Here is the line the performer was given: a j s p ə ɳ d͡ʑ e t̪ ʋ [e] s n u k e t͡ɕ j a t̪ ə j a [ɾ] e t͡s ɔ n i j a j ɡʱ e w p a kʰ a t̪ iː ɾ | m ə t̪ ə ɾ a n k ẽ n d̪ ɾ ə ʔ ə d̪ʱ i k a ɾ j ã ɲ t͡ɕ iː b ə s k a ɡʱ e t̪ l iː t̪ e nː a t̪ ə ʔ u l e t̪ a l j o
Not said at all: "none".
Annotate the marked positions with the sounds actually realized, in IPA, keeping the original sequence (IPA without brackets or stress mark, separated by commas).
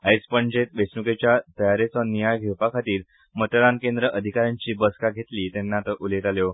e, ɾ